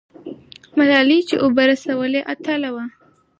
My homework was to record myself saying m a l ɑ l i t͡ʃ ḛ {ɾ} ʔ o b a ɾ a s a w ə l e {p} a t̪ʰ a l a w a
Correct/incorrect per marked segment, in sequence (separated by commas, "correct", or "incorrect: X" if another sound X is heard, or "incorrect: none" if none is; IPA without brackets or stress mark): incorrect: none, incorrect: ʔ